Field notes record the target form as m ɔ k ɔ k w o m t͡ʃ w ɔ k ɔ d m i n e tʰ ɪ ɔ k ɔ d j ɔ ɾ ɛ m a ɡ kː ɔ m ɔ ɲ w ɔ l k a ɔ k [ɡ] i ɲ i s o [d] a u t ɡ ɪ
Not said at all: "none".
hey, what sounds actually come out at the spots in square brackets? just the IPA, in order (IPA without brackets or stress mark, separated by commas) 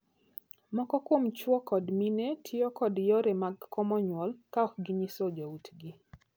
ɡ, d͡ʒ